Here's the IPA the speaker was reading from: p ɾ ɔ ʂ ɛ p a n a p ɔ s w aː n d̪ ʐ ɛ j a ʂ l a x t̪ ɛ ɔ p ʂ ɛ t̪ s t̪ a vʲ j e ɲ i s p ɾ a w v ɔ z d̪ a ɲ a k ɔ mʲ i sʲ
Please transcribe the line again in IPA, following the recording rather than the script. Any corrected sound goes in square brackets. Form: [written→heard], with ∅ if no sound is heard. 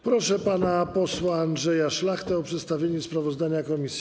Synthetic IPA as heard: p ɾ ɔ ʂ ɛ p a n a p ɔ s w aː n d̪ ʐ ɛ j a ʂ l a x t̪ ɛ ɔ p ʂ ɛ t̪ s t̪ a vʲ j e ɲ [i→ɛ] s p ɾ a [w→∅] v ɔ z d̪ a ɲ a k ɔ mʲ i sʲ